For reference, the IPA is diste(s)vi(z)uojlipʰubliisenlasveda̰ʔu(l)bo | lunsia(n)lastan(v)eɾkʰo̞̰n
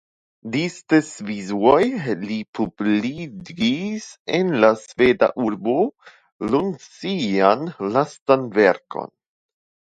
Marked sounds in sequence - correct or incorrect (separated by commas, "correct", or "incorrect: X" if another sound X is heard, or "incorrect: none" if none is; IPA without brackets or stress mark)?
correct, correct, incorrect: ɾ, correct, correct